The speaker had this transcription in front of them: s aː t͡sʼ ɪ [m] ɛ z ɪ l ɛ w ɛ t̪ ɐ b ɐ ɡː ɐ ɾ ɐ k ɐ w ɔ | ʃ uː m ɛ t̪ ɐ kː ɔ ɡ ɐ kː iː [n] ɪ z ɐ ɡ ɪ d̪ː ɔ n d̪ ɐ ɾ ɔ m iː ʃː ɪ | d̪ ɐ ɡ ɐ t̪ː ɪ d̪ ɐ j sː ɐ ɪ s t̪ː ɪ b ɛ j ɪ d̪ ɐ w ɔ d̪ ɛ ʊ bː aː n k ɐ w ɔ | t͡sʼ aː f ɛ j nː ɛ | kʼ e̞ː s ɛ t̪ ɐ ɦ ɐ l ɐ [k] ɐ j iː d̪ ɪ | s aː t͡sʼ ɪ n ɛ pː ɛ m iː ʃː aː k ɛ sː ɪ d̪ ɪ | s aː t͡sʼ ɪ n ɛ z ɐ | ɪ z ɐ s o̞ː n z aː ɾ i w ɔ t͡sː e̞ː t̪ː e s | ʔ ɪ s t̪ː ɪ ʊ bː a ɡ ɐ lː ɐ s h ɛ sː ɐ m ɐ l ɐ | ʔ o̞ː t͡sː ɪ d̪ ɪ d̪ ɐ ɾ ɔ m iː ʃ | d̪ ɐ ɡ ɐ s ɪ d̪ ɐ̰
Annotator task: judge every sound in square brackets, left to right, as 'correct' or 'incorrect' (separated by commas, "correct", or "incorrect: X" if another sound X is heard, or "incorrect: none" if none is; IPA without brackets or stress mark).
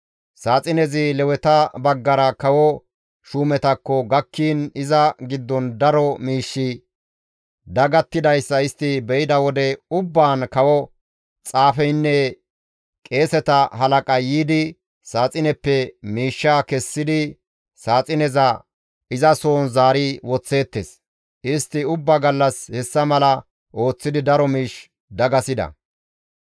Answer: incorrect: n, correct, incorrect: kʼ